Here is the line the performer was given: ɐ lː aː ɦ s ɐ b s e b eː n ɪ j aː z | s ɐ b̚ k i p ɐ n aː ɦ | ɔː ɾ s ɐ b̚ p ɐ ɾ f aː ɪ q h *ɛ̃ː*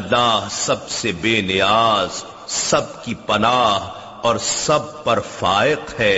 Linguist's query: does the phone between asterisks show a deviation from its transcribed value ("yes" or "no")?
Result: yes